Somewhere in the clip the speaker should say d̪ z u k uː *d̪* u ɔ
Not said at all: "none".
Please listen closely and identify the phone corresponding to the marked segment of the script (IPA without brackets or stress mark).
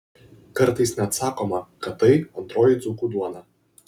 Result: d̪